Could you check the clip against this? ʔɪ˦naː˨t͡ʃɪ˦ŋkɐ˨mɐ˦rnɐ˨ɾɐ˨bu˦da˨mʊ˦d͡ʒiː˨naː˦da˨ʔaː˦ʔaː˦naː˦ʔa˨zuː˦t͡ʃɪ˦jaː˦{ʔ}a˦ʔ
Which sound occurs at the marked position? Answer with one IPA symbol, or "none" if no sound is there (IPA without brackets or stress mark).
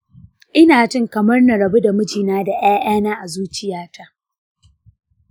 t